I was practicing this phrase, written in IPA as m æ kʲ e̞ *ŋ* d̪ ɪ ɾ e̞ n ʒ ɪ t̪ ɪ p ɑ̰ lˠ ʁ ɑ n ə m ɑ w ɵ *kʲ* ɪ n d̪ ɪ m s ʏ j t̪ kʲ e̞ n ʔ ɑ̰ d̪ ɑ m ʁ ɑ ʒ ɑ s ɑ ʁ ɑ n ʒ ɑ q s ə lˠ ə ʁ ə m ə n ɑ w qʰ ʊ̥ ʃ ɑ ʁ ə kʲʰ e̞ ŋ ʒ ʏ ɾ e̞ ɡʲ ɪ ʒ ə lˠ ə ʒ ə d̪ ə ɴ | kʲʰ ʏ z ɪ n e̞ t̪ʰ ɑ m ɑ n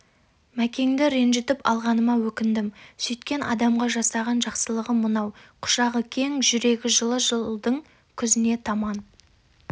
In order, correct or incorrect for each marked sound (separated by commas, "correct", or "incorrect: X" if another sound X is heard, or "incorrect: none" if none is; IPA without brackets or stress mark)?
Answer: correct, correct